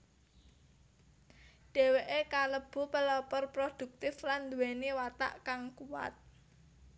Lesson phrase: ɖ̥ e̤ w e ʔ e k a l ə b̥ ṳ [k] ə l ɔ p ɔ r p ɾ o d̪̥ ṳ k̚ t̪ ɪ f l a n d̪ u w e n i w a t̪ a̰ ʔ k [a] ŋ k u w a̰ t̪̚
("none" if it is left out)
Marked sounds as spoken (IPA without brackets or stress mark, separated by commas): p, a